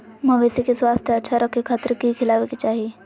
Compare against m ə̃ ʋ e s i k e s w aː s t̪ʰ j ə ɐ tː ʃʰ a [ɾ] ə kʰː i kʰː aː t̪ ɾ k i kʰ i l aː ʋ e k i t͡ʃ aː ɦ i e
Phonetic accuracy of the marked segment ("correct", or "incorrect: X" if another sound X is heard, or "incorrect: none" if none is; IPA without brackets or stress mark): correct